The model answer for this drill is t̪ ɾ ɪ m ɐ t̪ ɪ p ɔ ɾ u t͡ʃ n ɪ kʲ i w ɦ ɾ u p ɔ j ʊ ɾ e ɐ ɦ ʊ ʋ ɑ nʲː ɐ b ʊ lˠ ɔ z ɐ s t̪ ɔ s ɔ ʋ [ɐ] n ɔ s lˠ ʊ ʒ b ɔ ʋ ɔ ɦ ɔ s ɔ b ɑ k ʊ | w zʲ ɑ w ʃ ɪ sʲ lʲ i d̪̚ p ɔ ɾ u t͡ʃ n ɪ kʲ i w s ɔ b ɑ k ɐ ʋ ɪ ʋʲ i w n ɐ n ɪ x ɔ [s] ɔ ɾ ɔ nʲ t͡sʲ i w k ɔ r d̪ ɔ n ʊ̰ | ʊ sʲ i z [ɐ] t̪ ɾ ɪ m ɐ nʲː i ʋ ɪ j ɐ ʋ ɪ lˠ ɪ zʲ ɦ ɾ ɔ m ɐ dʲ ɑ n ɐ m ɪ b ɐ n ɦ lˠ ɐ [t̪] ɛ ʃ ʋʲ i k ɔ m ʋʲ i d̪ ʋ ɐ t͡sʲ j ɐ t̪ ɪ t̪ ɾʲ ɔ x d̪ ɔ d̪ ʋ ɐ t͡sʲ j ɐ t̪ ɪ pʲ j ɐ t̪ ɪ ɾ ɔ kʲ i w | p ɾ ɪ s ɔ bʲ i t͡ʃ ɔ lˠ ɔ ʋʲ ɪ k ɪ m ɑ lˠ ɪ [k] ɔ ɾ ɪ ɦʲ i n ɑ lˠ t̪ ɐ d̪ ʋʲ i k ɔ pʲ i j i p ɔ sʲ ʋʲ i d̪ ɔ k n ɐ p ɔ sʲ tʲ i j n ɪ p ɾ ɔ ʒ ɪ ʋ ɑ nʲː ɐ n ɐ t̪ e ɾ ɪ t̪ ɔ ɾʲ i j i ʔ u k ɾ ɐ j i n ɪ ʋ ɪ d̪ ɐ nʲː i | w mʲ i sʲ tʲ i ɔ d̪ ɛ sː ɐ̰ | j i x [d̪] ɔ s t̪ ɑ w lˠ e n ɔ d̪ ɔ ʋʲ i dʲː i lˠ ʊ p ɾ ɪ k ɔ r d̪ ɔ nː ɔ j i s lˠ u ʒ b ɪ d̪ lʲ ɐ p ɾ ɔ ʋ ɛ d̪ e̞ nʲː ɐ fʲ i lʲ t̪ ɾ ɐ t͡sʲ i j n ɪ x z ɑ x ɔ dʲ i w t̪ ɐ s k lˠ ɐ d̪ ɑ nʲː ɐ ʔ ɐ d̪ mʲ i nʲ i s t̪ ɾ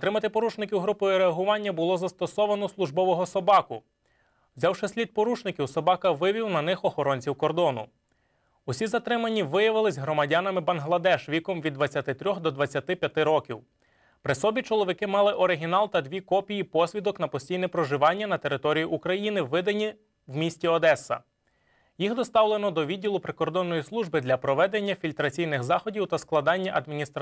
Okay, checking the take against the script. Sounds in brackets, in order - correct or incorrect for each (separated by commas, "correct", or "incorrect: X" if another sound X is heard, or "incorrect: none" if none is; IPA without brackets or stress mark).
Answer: correct, incorrect: x, correct, incorrect: d̪, incorrect: ʔ, correct